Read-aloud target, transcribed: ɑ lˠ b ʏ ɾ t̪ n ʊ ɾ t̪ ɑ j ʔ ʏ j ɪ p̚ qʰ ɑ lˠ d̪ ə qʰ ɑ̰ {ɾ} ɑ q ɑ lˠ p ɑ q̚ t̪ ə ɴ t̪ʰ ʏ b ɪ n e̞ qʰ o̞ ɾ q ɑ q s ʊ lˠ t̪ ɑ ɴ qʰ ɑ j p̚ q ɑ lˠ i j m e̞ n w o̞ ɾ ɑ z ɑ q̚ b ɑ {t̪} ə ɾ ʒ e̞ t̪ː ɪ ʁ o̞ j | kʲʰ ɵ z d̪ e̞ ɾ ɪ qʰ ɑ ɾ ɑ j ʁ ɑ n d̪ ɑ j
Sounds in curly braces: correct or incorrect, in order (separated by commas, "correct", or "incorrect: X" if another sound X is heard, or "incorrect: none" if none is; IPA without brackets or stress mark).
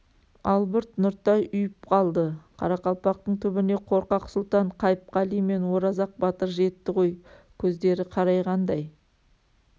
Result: correct, correct